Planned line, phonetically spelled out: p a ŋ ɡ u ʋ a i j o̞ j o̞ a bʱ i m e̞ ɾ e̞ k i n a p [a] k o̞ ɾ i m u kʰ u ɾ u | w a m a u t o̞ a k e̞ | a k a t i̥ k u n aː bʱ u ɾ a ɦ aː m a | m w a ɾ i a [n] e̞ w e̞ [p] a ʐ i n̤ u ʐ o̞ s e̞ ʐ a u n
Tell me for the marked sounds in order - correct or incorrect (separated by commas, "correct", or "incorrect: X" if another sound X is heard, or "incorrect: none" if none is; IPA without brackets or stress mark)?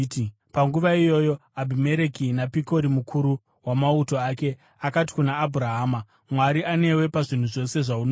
incorrect: i, correct, correct